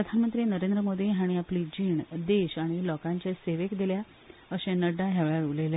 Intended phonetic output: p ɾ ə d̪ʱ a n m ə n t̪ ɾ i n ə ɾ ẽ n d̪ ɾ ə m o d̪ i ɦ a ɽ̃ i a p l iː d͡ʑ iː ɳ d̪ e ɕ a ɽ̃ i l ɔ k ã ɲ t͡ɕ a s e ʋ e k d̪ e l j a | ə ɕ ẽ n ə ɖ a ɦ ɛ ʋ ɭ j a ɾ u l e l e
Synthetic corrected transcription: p ɾ ə d̪ʱ a n m ə n t̪ ɾ i n ə ɾ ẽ n d̪ ɾ ə m o d̪ i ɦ a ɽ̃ i a p l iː d͡ʑ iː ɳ d̪ e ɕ a ɽ̃ i l ɔ k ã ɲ t͡ɕ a s e ʋ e k d̪ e l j a | ə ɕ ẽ n ə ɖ a ɦ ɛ ʋ ɭ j a ɾ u l e l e